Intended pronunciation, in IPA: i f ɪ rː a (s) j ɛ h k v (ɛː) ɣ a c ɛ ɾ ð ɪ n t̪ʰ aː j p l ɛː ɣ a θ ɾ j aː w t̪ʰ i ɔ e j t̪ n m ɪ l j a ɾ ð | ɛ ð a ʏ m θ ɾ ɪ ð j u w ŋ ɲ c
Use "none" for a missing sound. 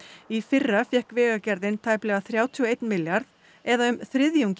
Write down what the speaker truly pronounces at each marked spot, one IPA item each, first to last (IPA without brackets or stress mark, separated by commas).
f, ɛː